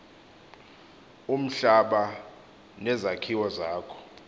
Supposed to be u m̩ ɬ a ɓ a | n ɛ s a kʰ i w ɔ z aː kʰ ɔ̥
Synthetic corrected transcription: u m̩ ɬ a ɓ a | n ɛ z a kʰ i w ɔ z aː kʰ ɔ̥